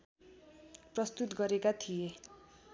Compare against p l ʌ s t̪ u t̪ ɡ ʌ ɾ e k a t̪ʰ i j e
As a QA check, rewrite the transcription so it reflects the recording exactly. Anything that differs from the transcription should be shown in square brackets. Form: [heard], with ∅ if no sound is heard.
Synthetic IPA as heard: p [r] ʌ s t̪ u t̪ ɡ ʌ ɾ e k a t̪ʰ i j e

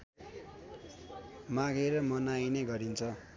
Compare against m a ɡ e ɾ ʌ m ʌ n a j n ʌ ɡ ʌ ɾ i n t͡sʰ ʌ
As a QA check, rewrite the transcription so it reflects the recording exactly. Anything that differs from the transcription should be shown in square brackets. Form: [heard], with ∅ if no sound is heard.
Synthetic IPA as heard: m a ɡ e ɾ ʌ m ʌ n a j n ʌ ɡ ʌ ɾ i n t͡sʰ ʌ

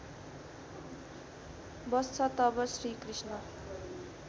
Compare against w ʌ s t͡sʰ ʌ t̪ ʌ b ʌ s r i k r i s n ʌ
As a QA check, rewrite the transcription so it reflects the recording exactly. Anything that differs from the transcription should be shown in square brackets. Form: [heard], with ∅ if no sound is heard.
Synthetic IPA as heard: [b] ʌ s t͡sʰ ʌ t̪ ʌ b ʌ s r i k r i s n ʌ

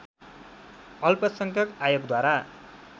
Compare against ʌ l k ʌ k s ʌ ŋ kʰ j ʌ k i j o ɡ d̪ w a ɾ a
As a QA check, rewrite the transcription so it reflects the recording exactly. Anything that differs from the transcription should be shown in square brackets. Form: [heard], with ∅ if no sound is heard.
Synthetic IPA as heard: ʌ l [p] ʌ [∅] s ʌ ŋ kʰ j ʌ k [a] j o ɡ d̪ w a ɾ a

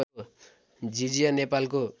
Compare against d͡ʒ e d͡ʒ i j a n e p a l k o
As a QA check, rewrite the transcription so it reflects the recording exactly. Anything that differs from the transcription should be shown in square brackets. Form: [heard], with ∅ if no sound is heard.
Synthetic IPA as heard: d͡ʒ [i] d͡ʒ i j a n e p a l k o

